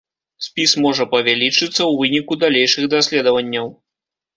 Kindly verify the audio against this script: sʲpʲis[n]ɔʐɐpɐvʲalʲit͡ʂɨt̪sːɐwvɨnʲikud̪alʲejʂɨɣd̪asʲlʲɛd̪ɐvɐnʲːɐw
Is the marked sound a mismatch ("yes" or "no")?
yes